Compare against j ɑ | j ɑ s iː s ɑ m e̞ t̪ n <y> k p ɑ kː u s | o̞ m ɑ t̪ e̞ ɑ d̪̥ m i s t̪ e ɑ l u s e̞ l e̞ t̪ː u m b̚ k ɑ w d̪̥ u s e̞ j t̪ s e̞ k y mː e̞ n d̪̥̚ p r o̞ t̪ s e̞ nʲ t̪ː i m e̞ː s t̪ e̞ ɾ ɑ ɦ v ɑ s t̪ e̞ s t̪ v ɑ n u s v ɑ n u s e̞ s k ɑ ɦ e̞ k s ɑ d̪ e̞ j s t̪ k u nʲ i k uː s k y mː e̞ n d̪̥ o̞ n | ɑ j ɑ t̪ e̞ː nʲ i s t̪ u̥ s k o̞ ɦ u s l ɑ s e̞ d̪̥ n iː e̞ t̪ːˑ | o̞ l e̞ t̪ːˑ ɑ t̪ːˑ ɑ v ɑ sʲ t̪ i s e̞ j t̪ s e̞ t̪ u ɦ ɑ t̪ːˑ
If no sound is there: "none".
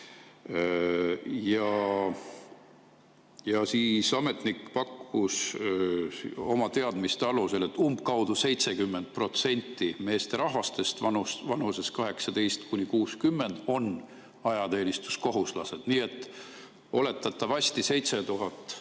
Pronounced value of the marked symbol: i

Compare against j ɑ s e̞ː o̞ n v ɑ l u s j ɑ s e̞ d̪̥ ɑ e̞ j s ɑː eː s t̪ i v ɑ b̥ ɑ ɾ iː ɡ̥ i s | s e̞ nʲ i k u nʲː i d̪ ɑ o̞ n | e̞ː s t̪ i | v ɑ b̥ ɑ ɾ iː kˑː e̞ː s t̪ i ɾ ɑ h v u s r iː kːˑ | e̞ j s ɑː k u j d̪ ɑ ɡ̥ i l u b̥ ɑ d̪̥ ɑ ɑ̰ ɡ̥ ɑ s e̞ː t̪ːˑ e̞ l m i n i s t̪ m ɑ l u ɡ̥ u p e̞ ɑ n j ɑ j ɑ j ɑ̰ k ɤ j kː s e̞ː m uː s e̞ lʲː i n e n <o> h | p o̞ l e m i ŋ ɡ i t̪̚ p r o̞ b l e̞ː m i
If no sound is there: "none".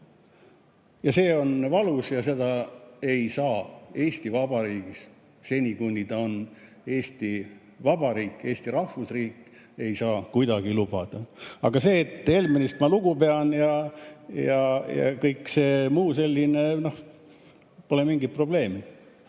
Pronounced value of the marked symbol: o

